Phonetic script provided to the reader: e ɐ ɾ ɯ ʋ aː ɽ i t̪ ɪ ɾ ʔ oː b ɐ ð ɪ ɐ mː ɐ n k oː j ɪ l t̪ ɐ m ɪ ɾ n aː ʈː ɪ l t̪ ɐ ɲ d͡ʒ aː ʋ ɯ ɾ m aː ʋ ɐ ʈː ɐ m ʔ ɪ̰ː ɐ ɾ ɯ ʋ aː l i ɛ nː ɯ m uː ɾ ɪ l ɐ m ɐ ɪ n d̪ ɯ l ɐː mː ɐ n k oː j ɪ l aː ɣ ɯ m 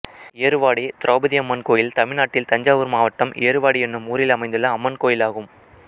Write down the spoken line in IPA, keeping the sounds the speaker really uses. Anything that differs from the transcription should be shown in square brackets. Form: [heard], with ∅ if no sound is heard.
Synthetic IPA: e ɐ ɾ ɯ ʋ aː ɽ i t̪ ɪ ɾ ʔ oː b ɐ ð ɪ ɐ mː ɐ n k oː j ɪ l t̪ ɐ m ɪ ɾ n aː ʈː ɪ l t̪ ɐ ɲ d͡ʒ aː ʋ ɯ ɾ m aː ʋ ɐ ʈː ɐ m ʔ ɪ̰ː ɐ ɾ ɯ ʋ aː [ɽ] i ɛ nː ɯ m uː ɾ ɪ l ɐ m ɐ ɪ n d̪ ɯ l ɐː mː ɐ n k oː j ɪ l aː ɣ ɯ m